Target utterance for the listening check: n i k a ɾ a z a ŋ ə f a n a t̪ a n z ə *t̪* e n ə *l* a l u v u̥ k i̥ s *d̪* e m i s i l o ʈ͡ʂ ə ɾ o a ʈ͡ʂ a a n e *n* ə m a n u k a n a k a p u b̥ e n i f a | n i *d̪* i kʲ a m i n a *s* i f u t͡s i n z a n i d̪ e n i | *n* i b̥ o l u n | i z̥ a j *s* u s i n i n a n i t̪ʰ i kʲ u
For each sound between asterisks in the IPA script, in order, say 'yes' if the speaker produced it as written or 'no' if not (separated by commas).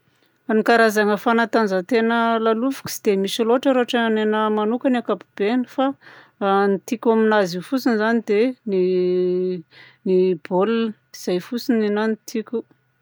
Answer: yes, yes, yes, yes, no, no, yes, no